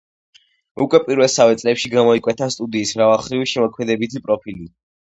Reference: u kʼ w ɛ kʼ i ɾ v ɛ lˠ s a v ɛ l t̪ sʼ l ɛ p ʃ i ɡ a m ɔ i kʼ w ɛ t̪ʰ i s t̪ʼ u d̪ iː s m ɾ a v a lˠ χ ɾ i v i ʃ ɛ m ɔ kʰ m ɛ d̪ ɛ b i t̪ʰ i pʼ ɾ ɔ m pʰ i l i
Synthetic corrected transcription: u kʼ w ɛ pʼ i ɾ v ɛ lˠ s a v ɛ t̪ sʼ l ɛ p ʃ i ɡ a m ɔ i kʼ w ɛ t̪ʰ a s t̪ʼ u d̪ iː s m ɾ a v a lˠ χ ɾ i v i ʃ ɛ m ɔ kʰ m ɛ d̪ ɛ b i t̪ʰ i pʼ ɾ ɔ pʰ i l i